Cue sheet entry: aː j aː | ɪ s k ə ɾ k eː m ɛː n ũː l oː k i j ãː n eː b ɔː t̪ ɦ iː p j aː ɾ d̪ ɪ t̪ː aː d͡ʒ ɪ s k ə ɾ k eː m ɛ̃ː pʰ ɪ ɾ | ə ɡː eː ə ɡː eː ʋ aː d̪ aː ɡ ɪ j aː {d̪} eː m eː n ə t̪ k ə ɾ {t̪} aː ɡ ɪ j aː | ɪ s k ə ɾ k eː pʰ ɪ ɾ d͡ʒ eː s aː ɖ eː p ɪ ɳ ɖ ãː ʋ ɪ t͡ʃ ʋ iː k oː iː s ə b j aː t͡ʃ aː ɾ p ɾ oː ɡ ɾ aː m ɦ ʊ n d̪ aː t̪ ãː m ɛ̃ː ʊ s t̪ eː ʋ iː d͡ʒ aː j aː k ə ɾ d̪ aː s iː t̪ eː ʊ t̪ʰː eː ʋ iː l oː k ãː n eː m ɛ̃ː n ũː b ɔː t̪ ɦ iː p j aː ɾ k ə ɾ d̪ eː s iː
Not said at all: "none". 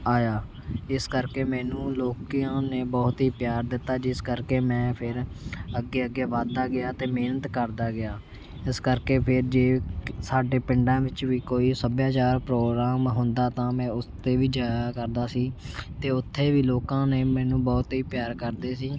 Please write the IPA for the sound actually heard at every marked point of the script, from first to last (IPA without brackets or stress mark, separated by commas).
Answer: t̪, d̪